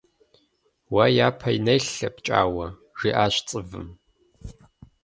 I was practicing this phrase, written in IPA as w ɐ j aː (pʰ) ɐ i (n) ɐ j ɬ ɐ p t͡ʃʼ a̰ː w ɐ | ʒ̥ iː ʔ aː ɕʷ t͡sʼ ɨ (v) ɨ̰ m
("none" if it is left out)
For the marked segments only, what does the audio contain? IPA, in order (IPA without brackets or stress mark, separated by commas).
pʰ, n, v